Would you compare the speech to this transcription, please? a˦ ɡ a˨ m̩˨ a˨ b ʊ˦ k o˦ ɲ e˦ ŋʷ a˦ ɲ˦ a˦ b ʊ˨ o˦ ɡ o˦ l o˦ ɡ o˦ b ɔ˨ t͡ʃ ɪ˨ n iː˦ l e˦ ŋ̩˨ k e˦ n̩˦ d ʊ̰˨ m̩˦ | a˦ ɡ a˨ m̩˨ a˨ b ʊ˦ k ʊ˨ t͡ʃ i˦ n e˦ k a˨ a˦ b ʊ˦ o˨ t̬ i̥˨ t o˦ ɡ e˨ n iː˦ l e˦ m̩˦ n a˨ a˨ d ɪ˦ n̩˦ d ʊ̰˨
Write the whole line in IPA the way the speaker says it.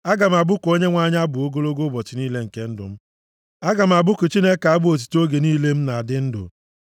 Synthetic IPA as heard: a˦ ɡ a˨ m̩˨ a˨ b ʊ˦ k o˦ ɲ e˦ ŋʷ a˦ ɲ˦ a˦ b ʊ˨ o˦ ɡ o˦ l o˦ ɡ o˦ b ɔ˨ t͡ʃ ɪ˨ n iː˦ l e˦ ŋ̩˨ k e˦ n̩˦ d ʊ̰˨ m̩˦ | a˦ ɡ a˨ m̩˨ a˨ b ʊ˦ k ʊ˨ t͡ʃ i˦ n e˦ k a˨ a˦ b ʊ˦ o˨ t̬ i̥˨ t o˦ ɡ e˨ n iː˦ l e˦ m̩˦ n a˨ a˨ d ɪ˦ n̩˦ d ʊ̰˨